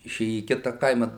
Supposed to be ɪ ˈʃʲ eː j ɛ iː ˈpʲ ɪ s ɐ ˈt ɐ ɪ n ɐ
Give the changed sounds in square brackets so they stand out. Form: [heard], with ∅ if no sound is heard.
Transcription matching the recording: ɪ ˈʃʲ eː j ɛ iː [ˈkʲ] ɪ [t] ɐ [ˈk] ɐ ɪ [m] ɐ